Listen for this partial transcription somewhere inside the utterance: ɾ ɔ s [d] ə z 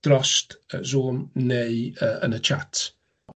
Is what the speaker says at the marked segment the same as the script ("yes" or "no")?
no